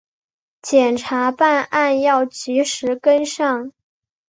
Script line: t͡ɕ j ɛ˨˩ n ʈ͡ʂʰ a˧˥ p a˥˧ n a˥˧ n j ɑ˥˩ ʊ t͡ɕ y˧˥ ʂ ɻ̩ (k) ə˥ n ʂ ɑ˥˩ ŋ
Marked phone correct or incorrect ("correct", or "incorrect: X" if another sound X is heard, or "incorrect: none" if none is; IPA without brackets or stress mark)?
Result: correct